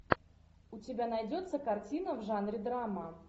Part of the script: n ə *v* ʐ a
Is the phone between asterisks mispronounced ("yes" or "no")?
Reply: no